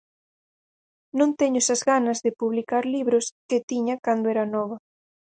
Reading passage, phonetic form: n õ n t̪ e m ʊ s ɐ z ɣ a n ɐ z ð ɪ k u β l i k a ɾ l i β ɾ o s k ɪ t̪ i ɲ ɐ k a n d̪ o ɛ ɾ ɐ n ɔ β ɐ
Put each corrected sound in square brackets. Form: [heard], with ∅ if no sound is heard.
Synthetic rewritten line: n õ n t̪ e [ɲ] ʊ s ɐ z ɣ a n ɐ z ð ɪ [p] u β l i k a ɾ l i β ɾ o s k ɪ t̪ i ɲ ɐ k a n d̪ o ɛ ɾ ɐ n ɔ β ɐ